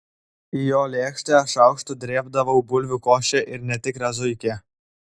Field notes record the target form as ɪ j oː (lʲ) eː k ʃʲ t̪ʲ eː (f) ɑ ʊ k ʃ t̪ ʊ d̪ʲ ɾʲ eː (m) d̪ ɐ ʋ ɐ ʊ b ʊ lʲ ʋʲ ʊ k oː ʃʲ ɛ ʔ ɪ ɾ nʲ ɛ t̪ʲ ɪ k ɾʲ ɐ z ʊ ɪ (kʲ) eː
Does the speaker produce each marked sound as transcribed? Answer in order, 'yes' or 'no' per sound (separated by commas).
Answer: yes, no, no, yes